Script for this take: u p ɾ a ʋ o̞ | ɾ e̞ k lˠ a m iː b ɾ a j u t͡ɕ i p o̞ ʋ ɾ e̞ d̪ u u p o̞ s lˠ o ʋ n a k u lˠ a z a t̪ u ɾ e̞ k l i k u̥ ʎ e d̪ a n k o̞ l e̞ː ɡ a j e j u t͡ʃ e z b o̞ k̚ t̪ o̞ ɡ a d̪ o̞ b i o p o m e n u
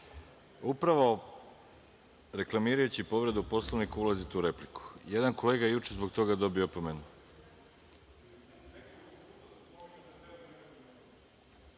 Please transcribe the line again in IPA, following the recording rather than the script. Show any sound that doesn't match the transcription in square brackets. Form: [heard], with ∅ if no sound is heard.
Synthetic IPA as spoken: u p ɾ a ʋ o̞ | ɾ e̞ k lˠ a m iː [∅] ɾ a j u t͡ɕ i p o̞ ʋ ɾ e̞ d̪ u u p o̞ s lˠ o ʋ n [i] k u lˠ a z [i] t̪ u ɾ e̞ [p] l i k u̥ [j] e d̪ a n k o̞ l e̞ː ɡ a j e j u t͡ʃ e z b o̞ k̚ t̪ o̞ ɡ a d̪ o̞ b i o p o m e n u